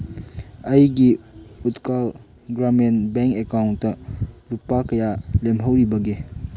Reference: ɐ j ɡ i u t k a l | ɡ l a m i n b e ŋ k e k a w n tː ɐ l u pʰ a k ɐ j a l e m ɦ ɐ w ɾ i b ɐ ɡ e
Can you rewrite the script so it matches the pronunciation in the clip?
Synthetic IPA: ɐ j ɡ i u t k a l | ɡ ɾ a m e n b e ŋ k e k a w n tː ɐ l u p a k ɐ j a l e m ɦ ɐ w ɾ i b ɐ ɡ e